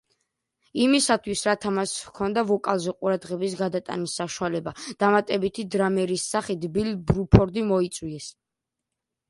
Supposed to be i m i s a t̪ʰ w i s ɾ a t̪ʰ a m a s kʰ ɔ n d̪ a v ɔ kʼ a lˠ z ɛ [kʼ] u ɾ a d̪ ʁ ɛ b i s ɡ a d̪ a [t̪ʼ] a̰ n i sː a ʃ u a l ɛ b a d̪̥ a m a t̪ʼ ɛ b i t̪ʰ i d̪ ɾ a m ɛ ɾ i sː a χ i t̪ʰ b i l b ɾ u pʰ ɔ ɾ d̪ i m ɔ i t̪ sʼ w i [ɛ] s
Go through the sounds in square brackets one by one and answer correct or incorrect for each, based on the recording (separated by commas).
incorrect, correct, correct